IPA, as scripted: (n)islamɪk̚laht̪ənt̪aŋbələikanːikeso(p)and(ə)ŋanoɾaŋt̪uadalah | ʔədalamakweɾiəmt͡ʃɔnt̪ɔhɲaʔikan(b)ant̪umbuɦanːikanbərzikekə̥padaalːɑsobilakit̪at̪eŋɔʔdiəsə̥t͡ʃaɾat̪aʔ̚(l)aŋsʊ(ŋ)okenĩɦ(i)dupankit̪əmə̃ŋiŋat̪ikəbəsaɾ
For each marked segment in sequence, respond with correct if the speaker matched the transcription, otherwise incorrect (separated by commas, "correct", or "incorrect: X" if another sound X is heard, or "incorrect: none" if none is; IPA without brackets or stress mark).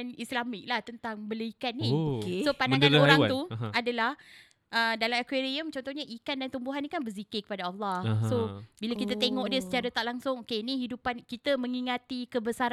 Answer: correct, correct, incorrect: a, incorrect: d, correct, correct, correct